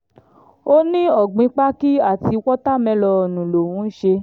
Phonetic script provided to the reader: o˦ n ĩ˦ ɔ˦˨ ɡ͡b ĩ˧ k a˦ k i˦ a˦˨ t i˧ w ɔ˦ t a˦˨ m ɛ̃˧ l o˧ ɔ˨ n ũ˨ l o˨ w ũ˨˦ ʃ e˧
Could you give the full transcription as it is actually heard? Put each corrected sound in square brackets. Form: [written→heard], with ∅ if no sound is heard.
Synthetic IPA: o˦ n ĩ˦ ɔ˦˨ ɡ͡b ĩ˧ [k→k͡p] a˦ k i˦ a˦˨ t i˧ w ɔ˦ t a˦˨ m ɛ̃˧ l [o˧→ɔ˧] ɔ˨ n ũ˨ l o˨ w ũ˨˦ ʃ e˧